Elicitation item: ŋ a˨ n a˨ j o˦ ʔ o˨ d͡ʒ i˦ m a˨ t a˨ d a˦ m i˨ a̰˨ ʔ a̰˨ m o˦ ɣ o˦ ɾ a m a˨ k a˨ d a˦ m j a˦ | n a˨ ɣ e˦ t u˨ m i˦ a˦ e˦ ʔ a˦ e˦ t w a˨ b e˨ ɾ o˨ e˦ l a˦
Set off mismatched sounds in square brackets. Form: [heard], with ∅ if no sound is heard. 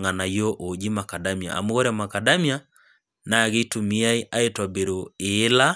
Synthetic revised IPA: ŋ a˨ n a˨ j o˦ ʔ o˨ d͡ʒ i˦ m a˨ [k] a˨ d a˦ m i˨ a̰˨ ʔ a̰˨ m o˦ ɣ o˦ ɾ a m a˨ k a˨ d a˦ m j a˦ | n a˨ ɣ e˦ t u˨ m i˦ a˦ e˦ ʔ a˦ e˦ t w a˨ b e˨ ɾ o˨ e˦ l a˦

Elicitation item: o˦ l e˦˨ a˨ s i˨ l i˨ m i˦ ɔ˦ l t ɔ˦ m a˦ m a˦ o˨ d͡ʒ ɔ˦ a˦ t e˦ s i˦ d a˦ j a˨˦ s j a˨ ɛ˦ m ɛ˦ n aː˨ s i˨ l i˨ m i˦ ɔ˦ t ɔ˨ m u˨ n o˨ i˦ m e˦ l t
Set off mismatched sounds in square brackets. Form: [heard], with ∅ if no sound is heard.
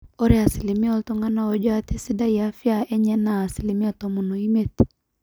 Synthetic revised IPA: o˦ [ɾ] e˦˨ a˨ s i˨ l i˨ m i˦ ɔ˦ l t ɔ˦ [ŋ] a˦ [n] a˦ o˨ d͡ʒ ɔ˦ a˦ t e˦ s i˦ d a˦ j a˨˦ [f] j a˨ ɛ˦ [ɲ] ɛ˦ n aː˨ s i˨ l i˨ m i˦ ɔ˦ t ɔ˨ m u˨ n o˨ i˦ m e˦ [∅] t

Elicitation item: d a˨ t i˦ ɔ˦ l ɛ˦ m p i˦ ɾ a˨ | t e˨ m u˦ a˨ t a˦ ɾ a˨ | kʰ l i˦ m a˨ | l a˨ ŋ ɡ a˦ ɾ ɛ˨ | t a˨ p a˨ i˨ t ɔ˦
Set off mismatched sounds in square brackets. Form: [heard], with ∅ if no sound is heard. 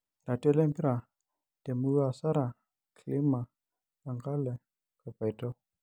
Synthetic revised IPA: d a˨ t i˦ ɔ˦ l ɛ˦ m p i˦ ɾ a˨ | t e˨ m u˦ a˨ [s] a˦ ɾ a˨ | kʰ l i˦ m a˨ | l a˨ ŋ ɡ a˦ [l] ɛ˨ | [k] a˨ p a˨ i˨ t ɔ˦

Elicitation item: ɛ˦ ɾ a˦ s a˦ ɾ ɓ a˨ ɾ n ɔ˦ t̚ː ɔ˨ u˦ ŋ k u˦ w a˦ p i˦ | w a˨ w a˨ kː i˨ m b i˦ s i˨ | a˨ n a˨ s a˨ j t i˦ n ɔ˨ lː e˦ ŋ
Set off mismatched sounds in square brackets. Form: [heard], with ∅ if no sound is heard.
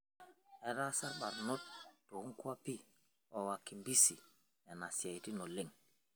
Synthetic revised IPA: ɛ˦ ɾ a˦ s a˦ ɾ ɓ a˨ ɾ n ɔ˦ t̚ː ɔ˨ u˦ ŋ k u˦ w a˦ p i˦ | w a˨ w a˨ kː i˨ m b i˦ s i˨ | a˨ n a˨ s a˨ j t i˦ n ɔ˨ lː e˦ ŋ

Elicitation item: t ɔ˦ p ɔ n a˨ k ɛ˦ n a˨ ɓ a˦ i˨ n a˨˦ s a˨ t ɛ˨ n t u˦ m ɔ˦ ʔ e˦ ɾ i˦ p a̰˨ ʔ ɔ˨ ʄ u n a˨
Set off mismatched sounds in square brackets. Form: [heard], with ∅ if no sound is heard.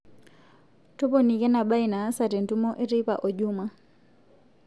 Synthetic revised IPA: t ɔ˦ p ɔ n [i˨] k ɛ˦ n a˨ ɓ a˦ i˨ n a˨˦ s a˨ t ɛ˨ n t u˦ m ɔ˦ ʔ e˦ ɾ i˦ p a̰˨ ʔ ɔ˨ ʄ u [m] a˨

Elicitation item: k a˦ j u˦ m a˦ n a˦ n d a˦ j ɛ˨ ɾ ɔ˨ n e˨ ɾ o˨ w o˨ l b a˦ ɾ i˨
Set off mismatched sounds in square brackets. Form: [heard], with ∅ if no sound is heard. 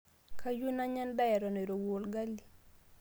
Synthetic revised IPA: k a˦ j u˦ [n] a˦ [ɲ] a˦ n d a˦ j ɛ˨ ɾ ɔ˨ n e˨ ɾ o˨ w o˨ l [ɡ] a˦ [l] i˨

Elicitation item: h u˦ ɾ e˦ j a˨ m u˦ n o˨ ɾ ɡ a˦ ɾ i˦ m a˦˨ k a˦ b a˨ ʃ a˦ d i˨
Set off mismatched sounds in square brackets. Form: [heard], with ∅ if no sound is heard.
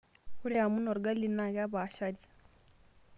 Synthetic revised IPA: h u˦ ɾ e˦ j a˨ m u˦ n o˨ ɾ ɡ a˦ [l] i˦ [n] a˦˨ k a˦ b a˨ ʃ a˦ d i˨

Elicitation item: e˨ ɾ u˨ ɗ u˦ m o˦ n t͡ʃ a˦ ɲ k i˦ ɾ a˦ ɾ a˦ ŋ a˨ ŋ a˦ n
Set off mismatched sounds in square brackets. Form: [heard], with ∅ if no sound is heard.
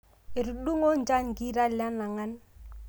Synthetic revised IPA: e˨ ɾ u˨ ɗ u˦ [ŋ] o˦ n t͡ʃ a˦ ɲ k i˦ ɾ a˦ [l] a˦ [n] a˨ ŋ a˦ n

